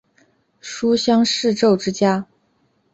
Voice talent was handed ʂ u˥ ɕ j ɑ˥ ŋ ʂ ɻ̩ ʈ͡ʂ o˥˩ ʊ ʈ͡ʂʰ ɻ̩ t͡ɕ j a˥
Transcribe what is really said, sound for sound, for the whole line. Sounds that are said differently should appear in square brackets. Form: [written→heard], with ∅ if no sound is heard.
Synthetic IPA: ʂ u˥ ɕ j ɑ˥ ŋ ʂ ɻ̩ ʈ͡ʂ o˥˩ ʊ [ʈ͡ʂʰ→ʈ͡ʂ] ɻ̩ t͡ɕ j a˥